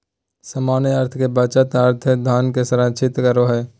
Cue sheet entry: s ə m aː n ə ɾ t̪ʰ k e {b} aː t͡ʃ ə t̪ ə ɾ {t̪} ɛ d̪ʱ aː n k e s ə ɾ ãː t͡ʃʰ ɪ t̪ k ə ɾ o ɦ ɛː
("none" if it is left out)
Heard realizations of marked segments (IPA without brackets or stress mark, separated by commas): b, t̪ʰ